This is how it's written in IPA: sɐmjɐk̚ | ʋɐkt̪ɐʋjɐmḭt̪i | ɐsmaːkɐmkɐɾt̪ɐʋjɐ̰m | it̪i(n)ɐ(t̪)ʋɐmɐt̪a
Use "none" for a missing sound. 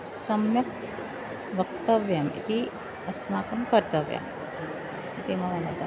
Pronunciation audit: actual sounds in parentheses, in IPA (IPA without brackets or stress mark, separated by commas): m, none